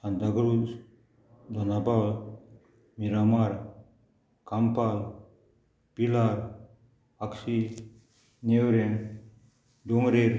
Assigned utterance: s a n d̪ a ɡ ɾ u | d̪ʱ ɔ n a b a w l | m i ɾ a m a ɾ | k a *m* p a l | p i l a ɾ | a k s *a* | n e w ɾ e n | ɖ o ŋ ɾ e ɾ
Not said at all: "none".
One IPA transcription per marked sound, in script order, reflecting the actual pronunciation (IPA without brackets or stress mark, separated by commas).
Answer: m, i